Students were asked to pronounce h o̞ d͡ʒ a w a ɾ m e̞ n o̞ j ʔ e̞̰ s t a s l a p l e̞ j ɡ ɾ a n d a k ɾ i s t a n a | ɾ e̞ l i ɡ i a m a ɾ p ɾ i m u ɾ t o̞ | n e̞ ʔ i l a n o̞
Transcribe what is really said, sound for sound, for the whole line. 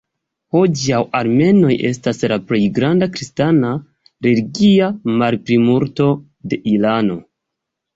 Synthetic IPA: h o̞ d͡ʒ a w a ɾ m e̞ n o̞ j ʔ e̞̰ s t a s l a p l e̞ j ɡ ɾ a n d a k ɾ i s t a n a | ɾ e̞ l i ɡ i a m a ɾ p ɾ i m u ɾ t o̞ | d e̞ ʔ i l a n o̞